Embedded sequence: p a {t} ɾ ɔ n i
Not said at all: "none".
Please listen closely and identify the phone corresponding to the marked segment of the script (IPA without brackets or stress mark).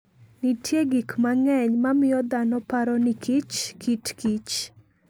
none